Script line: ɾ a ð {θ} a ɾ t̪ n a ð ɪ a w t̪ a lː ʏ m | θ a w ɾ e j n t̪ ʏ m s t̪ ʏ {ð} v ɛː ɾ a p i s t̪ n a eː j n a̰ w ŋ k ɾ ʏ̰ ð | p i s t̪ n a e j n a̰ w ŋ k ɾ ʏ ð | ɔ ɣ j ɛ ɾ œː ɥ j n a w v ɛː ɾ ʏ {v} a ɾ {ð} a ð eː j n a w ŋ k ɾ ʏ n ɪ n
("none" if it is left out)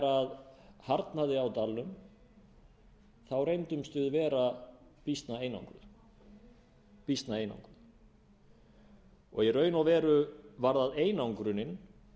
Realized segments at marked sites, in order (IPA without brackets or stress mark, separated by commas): h, ð, v, ð